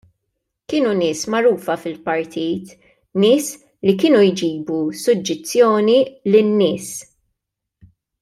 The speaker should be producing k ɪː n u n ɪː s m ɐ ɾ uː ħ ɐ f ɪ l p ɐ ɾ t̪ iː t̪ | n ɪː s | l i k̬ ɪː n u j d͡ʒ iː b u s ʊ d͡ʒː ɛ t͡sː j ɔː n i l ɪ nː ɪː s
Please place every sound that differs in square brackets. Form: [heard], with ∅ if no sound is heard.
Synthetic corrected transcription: k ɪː n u n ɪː s m ɐ ɾ uː [f] ɐ f ɪ l p ɐ ɾ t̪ iː t̪ | n ɪː s | l i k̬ ɪː n u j d͡ʒ iː b u s ʊ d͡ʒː ɛ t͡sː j ɔː n i l ɪ nː ɪː s